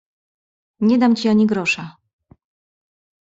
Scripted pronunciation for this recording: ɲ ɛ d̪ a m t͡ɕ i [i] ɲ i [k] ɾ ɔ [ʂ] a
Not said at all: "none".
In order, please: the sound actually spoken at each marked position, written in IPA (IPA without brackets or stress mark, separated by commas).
a, ɡ, ʂ